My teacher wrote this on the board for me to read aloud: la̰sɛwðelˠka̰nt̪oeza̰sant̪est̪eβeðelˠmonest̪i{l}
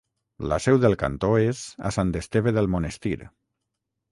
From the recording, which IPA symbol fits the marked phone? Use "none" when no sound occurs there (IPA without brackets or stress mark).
ɾ